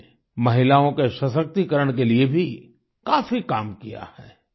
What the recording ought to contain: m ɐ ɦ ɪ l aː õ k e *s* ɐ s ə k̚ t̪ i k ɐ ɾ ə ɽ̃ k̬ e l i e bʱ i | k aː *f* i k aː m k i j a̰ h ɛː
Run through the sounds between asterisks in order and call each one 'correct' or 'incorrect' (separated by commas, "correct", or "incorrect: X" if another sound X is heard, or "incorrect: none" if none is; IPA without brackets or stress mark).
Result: incorrect: ʃ, correct